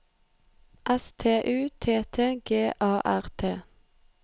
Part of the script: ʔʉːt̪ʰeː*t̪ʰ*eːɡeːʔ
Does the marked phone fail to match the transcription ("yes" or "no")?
no